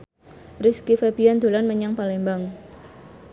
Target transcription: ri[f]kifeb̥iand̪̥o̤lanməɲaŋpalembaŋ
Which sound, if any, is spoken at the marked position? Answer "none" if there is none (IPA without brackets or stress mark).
s